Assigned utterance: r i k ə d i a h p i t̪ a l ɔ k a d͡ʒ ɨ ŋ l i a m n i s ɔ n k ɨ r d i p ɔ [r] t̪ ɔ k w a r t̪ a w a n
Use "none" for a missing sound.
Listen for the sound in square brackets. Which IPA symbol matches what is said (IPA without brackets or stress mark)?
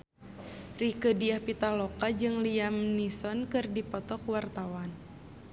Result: none